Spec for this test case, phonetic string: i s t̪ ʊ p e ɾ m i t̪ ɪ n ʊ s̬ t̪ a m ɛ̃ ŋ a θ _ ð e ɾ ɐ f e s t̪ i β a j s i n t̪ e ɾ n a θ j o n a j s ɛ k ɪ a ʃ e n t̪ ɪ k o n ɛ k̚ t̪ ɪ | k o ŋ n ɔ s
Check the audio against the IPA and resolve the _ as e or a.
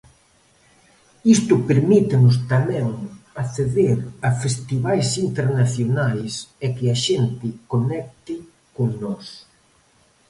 e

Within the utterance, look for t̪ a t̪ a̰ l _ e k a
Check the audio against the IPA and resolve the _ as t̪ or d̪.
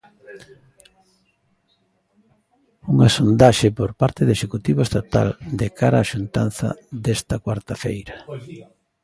d̪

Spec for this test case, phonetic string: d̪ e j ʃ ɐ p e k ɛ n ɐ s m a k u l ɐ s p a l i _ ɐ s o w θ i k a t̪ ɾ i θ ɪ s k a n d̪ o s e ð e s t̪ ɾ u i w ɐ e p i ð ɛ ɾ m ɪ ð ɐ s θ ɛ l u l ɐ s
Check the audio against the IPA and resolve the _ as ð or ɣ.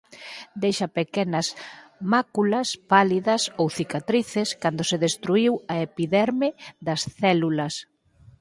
ð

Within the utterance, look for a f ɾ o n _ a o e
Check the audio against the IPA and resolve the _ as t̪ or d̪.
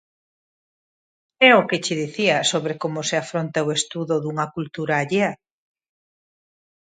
t̪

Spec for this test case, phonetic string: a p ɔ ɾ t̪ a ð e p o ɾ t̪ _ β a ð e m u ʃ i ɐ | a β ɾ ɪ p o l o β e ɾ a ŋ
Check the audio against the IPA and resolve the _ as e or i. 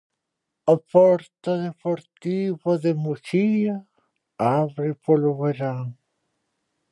i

